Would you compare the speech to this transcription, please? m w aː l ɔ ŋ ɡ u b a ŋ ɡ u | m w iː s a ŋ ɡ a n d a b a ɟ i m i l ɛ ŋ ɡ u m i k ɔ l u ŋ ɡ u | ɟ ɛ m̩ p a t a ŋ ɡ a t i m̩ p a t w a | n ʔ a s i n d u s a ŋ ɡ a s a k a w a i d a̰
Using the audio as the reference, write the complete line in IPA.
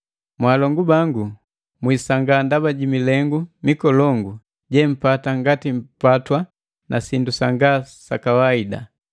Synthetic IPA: m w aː l ɔ ŋ ɡ u b a ŋ ɡ u | m w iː s a ŋ ɡ a n d a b a ɟ i m i l ɛ ŋ ɡ u m i k ɔ l ɔ ŋ ɡ u | ɟ ɛ m̩ p a t a ŋ ɡ a t i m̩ p a t w a | n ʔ a s i n d u s a ŋ ɡ a s a k a w a i d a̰